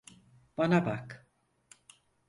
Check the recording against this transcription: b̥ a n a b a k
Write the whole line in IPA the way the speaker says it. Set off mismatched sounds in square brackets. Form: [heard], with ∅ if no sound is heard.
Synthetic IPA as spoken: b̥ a n a b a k

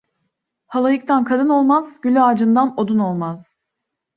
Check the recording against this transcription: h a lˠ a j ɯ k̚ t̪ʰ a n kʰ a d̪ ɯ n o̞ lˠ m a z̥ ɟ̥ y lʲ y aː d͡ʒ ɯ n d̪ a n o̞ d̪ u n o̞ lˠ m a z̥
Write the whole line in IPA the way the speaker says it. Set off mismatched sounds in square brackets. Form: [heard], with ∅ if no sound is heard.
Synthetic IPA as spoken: h a lˠ a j ɯ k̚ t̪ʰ a n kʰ a d̪ ɯ n o̞ lˠ m a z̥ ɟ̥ y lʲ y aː d͡ʒ ɯ n d̪ a n o̞ d̪ u n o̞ lˠ m a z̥

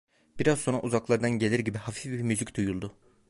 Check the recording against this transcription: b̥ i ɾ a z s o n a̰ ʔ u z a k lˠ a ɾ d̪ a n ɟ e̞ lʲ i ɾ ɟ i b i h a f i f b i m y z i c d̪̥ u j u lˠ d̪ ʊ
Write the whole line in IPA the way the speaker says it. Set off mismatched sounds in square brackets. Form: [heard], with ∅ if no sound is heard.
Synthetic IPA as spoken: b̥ i ɾ a z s o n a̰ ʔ u z a k lˠ a ɾ d̪ a n ɟ e̞ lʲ i ɾ ɟ i b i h a f i f b i m y z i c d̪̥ u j u lˠ d̪ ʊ

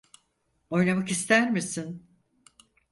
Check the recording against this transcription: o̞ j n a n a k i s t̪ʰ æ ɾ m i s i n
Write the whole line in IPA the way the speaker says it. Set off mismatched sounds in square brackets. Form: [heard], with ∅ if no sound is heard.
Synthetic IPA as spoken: o̞ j n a [m] a k i s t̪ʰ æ ɾ m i s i n

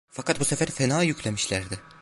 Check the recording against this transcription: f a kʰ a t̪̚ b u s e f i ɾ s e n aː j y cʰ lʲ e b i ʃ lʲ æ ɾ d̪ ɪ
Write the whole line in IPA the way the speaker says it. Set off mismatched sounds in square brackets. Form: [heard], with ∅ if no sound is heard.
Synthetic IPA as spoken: f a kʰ a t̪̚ b u s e f [æ] ɾ [f] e n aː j y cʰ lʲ e [m] i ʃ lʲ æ ɾ d̪ ɪ

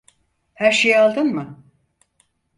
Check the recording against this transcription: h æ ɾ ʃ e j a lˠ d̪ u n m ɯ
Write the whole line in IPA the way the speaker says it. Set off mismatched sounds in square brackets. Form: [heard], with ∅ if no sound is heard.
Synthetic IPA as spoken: h æ ɾ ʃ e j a lˠ d̪ [ɯ] n m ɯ

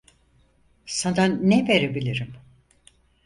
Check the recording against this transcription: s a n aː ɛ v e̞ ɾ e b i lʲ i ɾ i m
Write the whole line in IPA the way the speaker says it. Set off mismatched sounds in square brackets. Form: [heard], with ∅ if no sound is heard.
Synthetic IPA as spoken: s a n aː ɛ v e̞ ɾ e b i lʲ i ɾ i m

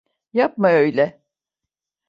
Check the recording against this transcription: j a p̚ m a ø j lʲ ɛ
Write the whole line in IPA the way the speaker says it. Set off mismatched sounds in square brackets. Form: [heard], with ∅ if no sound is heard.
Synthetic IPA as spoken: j a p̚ m a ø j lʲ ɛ

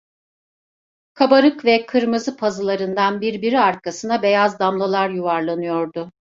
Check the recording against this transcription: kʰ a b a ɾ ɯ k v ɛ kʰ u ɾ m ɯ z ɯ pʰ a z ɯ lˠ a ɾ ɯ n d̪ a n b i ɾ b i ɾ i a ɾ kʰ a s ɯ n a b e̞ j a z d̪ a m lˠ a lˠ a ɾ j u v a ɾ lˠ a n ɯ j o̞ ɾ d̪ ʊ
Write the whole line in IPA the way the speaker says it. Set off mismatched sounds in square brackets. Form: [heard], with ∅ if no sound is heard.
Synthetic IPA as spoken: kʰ a b a ɾ ɯ k v ɛ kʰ [ɯ] ɾ m ɯ z ɯ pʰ a z ɯ lˠ a ɾ ɯ n d̪ a n b i ɾ b i ɾ i a ɾ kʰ a s ɯ n a b e̞ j a z d̪ a m lˠ a lˠ a ɾ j u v a ɾ lˠ a n ɯ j o̞ ɾ d̪ ʊ

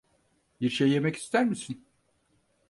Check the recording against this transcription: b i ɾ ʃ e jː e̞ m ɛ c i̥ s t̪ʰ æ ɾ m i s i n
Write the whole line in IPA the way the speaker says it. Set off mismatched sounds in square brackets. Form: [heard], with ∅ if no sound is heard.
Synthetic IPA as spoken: b i ɾ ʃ e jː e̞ m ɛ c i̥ s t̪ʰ æ ɾ m i s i n

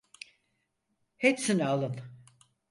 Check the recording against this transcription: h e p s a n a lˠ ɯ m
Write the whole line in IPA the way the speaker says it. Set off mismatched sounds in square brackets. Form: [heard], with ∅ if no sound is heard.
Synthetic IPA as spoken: h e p s [i] n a lˠ ɯ [n]

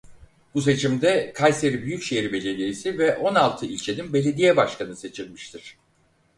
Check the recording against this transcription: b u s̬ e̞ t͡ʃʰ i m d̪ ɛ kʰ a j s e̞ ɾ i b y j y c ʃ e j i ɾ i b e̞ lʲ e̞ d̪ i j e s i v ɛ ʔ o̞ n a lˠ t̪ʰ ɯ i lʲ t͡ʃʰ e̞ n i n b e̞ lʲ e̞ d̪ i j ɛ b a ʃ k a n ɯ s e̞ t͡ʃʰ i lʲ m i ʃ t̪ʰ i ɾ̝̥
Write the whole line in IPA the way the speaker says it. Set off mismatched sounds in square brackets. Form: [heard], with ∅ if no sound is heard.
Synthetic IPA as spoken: b u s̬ e̞ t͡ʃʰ i m d̪ ɛ kʰ a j s e̞ ɾ i b y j y c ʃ e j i ɾ i b e̞ lʲ e̞ d̪ i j e s i v ɛ ʔ o̞ n a lˠ t̪ʰ ɯ i lʲ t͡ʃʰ e̞ n i n b e̞ lʲ e̞ d̪ i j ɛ b a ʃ k a n ɯ s e̞ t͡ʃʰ i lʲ m i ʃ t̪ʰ i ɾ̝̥

